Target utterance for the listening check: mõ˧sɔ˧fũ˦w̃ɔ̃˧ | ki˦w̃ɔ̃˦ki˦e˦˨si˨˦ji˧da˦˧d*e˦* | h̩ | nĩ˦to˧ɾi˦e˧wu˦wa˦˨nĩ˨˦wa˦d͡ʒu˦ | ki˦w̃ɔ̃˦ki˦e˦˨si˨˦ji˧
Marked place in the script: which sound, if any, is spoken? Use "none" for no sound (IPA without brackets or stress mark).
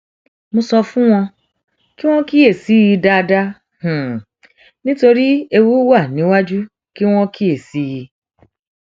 a˦